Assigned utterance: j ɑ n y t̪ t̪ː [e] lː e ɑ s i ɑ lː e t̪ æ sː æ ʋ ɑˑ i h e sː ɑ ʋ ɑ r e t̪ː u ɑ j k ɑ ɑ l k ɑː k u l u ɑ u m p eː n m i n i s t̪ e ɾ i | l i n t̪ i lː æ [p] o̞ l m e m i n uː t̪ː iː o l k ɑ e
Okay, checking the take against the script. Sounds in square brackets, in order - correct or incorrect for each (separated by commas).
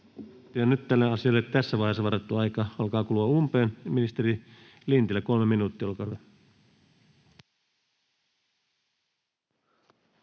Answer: incorrect, incorrect